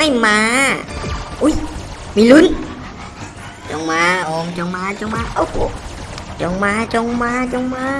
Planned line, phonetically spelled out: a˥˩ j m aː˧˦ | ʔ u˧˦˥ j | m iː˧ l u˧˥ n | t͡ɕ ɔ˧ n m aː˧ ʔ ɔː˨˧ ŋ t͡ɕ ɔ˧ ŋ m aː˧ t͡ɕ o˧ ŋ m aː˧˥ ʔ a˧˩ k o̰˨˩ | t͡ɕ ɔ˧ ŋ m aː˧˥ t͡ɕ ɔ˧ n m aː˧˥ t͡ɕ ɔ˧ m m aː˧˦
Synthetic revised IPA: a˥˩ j m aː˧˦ | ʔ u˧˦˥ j | m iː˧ l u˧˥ n | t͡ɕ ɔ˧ ŋ m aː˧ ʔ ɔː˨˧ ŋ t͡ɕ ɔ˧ ŋ m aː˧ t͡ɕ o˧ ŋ m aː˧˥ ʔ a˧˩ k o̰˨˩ | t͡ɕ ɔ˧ ŋ m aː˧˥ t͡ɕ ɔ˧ ŋ m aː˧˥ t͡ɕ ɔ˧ ŋ m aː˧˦